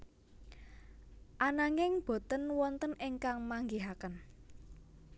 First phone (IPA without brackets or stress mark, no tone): ʔ